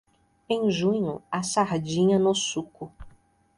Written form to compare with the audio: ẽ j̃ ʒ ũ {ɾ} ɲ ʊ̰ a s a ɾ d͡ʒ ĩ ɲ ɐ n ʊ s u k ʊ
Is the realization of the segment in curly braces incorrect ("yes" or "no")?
yes